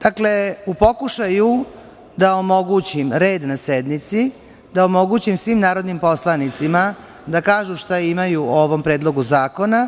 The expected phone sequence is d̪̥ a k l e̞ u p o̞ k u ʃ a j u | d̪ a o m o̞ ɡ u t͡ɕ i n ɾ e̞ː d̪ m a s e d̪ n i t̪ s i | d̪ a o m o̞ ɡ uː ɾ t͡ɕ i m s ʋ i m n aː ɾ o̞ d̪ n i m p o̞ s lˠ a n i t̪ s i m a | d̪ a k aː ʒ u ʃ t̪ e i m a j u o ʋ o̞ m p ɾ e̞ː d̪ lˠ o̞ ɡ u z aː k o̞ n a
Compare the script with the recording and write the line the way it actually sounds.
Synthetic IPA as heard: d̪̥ a k l e̞ u p o̞ k u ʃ a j u | d̪ a o m o̞ ɡ u t͡ɕ i m ɾ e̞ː d̪ n a s e d̪ n i t̪ s i | d̪ a o m o̞ ɡ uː t͡ɕ i m s ʋ i m n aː ɾ o̞ d̪ n i m p o̞ s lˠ a n i t̪ s i m a | d̪ a k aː ʒ u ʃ t̪ a i m a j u o ʋ o̞ m p ɾ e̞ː d̪ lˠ o̞ ɡ u z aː k o̞ n a

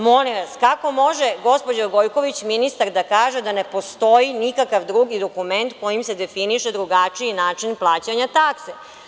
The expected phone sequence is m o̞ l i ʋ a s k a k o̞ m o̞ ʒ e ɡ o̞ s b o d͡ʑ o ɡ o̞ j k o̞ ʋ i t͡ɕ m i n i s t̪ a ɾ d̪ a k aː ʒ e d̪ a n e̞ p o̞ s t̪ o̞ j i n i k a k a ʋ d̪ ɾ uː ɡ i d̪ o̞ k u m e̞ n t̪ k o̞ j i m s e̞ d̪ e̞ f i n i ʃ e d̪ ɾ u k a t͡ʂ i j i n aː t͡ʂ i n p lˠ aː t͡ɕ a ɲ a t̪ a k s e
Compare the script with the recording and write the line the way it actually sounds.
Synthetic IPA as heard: m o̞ l i ʋ a s k a k o̞ m o̞ ʒ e ɡ o̞ s p o d͡ʑ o ɡ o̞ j k o̞ ʋ i t͡ɕ m i n i s t̪ a ɾ d̪ a k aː ʒ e d̪ a n e̞ p o̞ s t̪ o̞ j i n i k a k a ʋ d̪ ɾ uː ɡ i d̪ o̞ k u m e̞ n t̪ k o̞ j i m s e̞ d̪ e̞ f i n i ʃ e d̪ ɾ u ɡ a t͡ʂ i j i n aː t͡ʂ i n p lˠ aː t͡ɕ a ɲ a t̪ a k s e

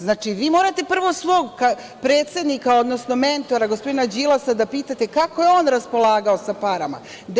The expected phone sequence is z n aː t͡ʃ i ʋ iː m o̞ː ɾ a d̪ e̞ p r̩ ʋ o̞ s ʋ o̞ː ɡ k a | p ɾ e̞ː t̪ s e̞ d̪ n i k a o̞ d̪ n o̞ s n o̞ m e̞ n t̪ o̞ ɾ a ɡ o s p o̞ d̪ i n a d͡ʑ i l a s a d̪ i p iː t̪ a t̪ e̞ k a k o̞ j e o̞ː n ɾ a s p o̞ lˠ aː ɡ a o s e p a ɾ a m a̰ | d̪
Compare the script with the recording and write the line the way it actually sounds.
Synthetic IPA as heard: z n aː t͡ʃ i ʋ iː m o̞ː ɾ a t̪ e̞ p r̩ ʋ o̞ s ʋ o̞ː ɡ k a | p ɾ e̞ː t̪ s e̞ d̪ n i k a o̞ d̪ n o̞ s n o̞ m e̞ n t̪ o̞ ɾ a ɡ o s p o̞ d̪ i n a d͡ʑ i l a s a d̪ a p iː t̪ a t̪ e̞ k a k o̞ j e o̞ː n ɾ a s p o̞ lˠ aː ɡ a o s a p a ɾ a m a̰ | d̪

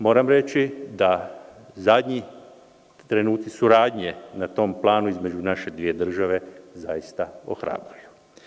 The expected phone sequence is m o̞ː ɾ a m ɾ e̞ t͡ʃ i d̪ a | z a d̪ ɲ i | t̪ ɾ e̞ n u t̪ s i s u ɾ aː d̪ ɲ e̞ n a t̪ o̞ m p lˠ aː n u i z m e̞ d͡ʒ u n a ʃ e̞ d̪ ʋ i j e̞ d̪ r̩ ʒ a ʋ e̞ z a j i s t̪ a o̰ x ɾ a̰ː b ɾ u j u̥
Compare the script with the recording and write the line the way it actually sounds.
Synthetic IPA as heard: m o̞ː ɾ a m ɾ e̞ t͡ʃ i d̪ a | z a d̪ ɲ i | t̪ ɾ e̞ n uː t̪ s i s u ɾ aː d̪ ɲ e̞ n a t̪ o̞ m p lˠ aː n u i z m e̞ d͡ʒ u n a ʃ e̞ d̪ ʋ i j e̞ d̪ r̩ ʒ a ʋ e̞ z a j i s t̪ a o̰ x ɾ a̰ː b ɾ u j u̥

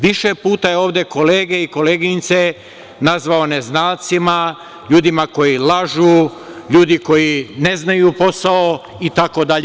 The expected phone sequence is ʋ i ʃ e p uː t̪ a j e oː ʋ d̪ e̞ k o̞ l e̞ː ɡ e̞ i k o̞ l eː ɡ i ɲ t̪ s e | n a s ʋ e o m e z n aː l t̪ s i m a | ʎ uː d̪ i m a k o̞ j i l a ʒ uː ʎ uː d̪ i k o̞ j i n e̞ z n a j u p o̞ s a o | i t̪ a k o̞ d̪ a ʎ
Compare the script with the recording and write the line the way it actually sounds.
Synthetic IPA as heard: ʋ i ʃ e p uː t̪ a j e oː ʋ d̪ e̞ k o̞ l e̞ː ɡ e̞ i k o̞ l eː ɡ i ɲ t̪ s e | n a z ʋ a o n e z n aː l t̪ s i m a | ʎ uː d̪ i m a k o̞ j i l a ʒ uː ʎ uː d̪ i k o̞ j i n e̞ z n a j u p o̞ s a o | i t̪ a k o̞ d̪ a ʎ

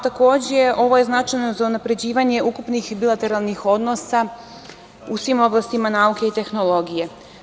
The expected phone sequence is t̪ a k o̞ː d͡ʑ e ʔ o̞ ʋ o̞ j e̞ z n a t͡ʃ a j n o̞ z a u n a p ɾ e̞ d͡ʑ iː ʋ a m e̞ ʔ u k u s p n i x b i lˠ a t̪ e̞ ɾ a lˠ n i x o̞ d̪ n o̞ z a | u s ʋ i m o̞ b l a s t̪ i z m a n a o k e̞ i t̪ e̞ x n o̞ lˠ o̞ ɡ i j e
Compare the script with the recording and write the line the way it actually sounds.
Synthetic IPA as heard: t̪ a k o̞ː d͡ʑ e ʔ o̞ ʋ o̞ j e̞ z n a t͡ʃ a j n o̞ z a u n a p ɾ e̞ d͡ʑ iː ʋ a ɲ e̞ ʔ u k u p n i x b i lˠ a t̪ e̞ ɾ a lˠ n i x o̞ d̪ n o̞ s a | u s ʋ i m o̞ b l a s t̪ i m a n a u k e̞ i t̪ e̞ x n o̞ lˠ o̞ ɡ i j e

